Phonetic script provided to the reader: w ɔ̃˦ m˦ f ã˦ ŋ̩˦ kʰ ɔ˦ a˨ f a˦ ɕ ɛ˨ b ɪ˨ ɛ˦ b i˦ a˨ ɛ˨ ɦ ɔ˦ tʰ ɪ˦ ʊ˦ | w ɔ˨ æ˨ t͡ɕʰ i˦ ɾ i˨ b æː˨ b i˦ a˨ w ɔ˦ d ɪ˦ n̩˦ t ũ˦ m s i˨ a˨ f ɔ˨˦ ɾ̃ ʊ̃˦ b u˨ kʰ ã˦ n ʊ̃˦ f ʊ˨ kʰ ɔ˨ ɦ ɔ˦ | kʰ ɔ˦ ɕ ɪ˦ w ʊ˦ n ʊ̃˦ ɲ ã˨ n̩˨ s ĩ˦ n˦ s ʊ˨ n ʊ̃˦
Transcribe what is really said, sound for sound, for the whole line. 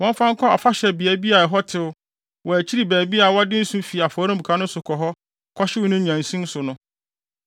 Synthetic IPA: w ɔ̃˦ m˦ f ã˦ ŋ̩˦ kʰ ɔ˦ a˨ f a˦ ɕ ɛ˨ b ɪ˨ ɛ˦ b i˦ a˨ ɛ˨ ɦ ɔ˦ tʰ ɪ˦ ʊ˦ | w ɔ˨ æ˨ t͡ɕʰ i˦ ɾ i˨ b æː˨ b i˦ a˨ w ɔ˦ d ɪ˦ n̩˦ s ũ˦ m f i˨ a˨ f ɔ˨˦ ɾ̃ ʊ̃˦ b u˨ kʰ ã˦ n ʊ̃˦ s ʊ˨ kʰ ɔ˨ ɦ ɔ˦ | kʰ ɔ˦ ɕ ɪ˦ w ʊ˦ n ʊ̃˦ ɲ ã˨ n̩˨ s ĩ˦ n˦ s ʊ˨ n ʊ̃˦